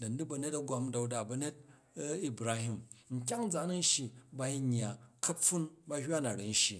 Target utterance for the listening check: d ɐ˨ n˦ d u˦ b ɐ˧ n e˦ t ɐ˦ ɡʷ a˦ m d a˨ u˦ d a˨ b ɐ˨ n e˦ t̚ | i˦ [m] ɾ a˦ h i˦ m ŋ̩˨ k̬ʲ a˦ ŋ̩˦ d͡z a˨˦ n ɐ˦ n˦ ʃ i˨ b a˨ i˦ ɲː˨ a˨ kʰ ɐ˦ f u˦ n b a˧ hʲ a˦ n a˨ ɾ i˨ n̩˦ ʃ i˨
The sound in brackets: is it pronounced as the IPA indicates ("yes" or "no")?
no